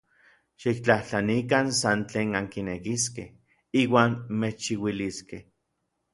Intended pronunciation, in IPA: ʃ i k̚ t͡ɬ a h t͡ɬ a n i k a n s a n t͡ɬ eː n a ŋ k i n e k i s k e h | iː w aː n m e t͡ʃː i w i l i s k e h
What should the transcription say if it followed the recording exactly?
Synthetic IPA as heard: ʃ i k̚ t͡ɬ a h t͡ɬ a n i k a n s a n t͡ɬ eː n a ŋ k i n e k i s k e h | iː w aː n m e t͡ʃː i w i l i s k e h